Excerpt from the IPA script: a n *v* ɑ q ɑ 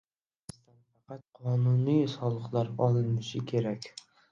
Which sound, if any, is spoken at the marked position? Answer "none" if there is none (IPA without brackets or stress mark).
f